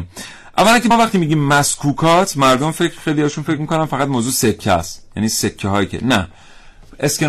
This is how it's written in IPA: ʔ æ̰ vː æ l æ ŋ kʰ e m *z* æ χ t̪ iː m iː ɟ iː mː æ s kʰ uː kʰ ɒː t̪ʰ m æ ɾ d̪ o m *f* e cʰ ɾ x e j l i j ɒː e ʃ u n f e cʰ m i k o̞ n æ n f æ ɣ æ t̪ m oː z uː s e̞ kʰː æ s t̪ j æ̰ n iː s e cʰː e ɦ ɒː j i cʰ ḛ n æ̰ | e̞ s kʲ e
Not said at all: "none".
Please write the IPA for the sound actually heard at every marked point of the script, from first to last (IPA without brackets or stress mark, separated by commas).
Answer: v, f